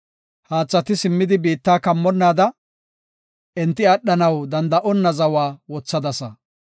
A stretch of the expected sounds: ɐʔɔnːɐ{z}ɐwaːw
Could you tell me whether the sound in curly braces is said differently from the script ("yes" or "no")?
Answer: no